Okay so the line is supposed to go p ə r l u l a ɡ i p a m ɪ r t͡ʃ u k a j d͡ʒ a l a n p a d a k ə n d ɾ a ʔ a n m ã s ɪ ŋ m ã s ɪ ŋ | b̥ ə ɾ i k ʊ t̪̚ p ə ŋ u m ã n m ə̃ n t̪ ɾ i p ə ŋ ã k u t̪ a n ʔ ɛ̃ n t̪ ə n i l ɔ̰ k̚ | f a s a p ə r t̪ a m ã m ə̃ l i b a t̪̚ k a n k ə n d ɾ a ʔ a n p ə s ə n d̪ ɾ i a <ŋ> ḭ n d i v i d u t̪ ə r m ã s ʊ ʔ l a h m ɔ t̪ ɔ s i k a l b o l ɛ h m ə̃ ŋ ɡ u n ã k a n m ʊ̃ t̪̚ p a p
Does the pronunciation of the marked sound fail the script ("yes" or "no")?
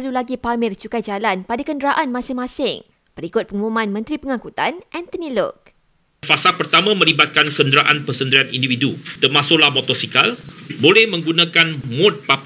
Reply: yes